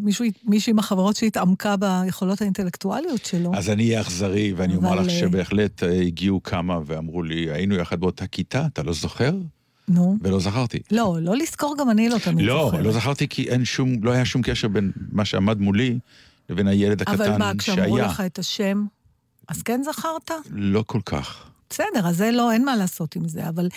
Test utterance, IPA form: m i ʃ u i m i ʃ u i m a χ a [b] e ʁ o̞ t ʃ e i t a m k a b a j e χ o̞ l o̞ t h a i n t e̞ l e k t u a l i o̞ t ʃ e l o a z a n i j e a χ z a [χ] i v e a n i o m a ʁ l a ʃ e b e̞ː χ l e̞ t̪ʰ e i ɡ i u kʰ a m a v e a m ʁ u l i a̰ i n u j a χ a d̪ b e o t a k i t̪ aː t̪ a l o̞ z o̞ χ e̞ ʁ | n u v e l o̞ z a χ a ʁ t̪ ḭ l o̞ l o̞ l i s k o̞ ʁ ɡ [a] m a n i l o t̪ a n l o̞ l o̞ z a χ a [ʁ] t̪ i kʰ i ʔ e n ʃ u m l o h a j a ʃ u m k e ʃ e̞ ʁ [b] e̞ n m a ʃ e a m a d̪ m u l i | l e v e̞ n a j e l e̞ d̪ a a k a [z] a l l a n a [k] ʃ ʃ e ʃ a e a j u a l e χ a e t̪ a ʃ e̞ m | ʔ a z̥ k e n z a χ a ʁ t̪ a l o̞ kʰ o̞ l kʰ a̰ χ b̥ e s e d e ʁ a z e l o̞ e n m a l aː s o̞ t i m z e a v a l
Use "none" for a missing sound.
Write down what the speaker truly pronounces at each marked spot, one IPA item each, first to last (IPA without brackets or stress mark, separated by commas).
v, ʁ, a, ʁ, b, v, k